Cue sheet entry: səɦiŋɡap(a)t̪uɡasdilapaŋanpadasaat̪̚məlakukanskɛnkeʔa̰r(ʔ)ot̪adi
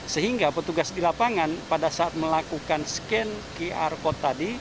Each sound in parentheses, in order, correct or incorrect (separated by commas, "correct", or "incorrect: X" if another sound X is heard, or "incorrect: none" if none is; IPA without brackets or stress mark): incorrect: ə, incorrect: k